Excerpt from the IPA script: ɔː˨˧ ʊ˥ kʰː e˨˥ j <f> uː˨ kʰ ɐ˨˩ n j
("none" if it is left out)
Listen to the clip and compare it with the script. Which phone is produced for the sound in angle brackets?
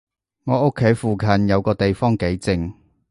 f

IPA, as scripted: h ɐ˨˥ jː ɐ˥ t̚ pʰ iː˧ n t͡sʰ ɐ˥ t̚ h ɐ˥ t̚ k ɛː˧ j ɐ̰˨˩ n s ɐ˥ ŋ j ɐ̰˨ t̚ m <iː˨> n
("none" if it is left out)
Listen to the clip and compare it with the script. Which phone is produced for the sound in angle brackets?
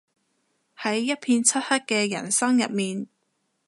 iː˨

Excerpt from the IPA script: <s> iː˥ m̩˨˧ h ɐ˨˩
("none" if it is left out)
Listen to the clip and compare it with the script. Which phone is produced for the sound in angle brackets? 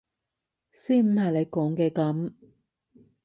s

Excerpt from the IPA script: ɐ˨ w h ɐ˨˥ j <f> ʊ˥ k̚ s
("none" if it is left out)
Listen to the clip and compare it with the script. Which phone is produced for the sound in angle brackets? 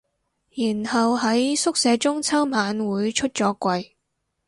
s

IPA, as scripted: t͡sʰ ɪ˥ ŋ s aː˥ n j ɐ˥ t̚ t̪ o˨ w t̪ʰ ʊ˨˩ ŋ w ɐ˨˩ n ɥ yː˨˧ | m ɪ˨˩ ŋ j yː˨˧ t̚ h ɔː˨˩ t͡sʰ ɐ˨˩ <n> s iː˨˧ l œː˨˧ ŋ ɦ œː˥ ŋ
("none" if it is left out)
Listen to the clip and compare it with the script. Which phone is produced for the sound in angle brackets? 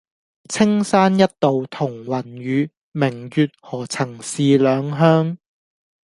ŋ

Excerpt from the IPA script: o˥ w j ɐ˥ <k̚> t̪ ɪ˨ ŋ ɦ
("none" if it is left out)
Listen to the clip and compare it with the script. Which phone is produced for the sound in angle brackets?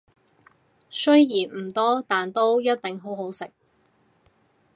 t̚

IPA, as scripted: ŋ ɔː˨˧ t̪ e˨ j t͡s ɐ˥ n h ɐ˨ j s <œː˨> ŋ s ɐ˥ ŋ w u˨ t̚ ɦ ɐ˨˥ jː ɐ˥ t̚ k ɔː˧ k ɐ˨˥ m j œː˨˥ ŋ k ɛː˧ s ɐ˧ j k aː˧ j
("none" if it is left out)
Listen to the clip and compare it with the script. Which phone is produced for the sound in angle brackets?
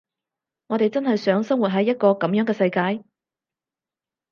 œː˨˥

